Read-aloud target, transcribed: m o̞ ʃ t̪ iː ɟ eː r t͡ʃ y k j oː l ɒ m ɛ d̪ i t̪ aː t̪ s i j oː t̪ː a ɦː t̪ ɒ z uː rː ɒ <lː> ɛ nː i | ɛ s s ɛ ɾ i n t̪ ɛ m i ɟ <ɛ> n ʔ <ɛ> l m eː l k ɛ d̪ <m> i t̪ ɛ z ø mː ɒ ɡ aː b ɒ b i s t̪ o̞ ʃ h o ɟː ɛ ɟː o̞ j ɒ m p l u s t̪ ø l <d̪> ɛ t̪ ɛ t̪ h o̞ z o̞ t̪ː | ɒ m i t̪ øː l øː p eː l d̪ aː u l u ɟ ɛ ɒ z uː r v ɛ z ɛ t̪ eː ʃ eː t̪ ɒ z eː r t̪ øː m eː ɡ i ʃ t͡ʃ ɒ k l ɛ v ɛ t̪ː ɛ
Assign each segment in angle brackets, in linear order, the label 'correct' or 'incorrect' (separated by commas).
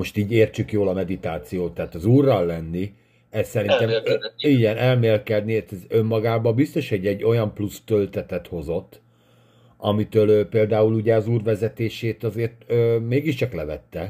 correct, correct, correct, incorrect, incorrect